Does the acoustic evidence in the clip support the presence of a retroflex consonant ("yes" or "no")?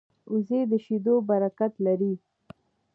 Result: no